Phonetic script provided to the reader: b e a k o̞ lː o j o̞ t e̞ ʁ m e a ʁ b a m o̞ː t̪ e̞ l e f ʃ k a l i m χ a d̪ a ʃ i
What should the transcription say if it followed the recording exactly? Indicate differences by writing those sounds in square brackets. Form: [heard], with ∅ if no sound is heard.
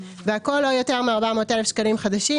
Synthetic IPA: [v] e a k o̞ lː o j o̞ t e̞ ʁ m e a ʁ b a m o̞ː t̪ e̞ l e f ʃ k a l i m χ a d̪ a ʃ i